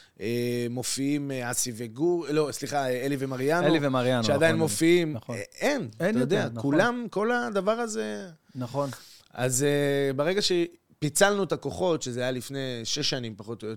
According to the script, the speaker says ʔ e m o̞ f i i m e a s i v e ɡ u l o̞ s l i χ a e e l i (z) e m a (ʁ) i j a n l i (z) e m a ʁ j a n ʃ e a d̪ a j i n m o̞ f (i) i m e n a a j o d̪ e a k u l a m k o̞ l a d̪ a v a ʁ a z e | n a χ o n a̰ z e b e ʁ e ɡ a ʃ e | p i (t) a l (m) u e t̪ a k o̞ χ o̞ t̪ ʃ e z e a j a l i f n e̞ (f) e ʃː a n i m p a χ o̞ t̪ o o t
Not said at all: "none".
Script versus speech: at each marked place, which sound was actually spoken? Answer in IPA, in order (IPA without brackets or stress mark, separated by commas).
v, ʁ, v, i, t͡s, n, ʃ